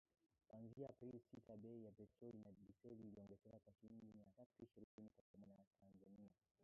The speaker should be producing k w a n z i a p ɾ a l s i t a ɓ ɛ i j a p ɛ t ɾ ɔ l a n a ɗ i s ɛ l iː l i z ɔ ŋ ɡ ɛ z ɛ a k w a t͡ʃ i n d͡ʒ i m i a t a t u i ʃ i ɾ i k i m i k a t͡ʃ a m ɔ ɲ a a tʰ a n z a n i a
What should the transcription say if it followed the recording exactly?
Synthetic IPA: k w a n z i a p ɾ i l s i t a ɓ ɛ i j a p ɛ t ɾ ɔ l i n a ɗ i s ɛ l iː l i ɔ ŋ ɡ ɛ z ɛ a k w a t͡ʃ i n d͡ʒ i m i a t a t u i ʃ i ɾ i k i n i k a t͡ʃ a m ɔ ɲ a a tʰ a n z a n i a